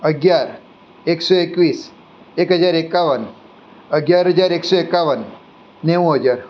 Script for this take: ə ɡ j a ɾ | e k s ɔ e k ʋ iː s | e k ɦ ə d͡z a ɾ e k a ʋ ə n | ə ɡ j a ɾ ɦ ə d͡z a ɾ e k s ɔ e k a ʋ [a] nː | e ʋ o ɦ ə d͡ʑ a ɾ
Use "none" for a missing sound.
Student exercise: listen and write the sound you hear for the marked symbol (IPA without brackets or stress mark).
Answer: ə